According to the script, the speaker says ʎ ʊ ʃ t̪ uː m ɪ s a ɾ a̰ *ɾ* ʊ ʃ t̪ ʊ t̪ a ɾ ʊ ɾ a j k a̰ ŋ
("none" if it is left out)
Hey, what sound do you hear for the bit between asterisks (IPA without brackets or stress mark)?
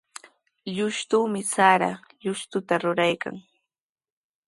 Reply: ʎ